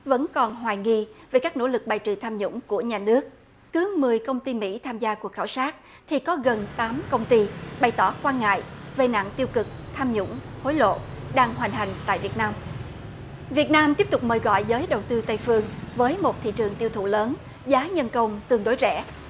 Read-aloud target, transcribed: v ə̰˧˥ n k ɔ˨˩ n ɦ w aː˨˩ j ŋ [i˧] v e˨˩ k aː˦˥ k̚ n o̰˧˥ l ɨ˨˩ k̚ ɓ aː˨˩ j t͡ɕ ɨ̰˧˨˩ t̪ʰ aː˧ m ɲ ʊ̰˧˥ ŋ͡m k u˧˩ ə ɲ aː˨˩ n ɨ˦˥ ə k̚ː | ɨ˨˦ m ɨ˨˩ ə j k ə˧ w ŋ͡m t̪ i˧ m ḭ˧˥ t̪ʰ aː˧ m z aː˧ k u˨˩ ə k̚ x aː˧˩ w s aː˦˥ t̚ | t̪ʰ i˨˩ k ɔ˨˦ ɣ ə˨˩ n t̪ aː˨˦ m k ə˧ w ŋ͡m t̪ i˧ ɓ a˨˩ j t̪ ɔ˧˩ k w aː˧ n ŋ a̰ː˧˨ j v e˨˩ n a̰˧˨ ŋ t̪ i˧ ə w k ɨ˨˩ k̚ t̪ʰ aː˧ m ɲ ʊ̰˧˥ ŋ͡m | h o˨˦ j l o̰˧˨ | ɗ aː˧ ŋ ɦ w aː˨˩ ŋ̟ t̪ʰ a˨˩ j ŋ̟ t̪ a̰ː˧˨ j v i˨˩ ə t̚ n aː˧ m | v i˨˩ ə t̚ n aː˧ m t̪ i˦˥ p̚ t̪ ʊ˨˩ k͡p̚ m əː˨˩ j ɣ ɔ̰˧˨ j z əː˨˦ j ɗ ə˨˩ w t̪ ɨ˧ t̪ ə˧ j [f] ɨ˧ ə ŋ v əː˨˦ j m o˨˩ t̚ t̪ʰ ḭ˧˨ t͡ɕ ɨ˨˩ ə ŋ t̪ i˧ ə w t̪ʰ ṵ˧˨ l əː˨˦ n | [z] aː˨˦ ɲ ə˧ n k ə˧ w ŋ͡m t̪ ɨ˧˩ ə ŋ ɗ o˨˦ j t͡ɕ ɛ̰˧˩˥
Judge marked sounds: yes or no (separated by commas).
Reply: yes, yes, yes